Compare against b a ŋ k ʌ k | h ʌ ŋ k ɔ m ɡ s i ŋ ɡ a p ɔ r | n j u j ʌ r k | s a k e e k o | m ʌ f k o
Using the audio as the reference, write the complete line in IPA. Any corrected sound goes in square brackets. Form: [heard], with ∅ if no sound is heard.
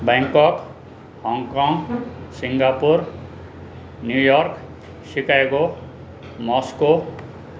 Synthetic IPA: b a ŋ k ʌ k | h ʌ ŋ k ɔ [ŋ] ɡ s i ŋ ɡ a p [u] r | n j u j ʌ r k | s [i] k [a] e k o | m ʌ [s] k o

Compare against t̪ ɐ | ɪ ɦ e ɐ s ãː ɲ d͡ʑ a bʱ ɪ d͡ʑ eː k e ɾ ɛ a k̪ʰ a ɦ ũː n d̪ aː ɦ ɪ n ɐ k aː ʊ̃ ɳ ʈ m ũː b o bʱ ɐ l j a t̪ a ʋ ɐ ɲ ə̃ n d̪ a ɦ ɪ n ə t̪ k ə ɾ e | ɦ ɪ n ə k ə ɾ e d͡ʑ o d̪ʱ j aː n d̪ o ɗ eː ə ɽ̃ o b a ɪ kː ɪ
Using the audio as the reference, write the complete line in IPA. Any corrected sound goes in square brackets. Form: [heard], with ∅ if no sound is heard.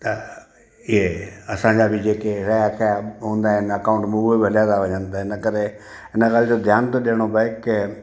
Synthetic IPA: t̪ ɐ | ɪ ɦ e ɐ s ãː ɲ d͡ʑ a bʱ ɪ d͡ʑ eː k e ɾ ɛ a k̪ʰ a ɦ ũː n d̪ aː ɦ ɪ n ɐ k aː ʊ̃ ɳ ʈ m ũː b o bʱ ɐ l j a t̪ a ʋ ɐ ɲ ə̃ n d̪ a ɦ ɪ n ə [∅] k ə ɾ e | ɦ ɪ n ə k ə ɾ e d͡ʑ o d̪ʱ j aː n [t̪] o ɗ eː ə ɽ̃ o b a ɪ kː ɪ

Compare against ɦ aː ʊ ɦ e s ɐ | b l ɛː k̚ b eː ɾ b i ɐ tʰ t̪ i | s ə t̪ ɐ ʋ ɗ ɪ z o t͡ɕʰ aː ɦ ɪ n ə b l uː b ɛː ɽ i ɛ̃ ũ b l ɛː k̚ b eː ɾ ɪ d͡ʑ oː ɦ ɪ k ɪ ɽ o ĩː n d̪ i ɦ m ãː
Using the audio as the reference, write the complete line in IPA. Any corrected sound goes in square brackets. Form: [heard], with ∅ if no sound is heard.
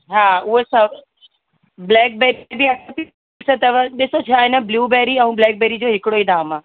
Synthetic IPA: ɦ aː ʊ ɦ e s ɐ | b l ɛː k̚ b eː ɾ b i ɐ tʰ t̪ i | s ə t̪ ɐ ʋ ɗ ɪ [s] o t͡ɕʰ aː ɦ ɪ n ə b l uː b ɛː [ɾ] i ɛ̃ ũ b l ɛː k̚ b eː ɾ [i] d͡ʑ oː ɦ ɪ k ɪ ɽ o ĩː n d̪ [a] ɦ m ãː

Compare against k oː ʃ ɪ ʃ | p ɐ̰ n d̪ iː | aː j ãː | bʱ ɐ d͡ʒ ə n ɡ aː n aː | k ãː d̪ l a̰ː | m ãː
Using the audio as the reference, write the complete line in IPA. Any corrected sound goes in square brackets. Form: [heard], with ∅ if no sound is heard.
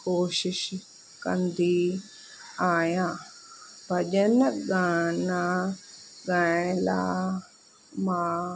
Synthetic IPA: k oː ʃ ɪ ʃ | [k] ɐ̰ n d̪ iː | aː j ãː | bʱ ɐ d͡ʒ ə n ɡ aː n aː | [ɡ] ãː [∅] l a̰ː | m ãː

